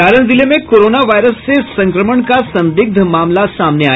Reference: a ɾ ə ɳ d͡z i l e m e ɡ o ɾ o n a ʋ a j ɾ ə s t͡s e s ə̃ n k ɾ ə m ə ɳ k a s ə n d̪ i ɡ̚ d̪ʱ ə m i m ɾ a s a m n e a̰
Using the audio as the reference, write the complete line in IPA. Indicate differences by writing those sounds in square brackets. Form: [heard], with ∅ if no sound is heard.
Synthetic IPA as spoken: a ɾ ə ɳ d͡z i l e m e [k] o ɾ o n a ʋ a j ɾ ə s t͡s e s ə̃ [ŋ] k ɾ ə m ə ɳ k a s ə n d̪ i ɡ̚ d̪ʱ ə m [a] m [l] a s a m n e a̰